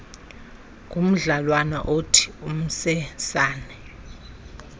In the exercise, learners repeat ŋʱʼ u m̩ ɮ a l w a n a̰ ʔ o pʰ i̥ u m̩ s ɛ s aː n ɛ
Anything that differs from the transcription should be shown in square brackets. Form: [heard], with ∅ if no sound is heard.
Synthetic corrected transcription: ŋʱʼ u m̩ ɮ a l w a n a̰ ʔ o [tʰ] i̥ u m̩ s ɛ s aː n ɛ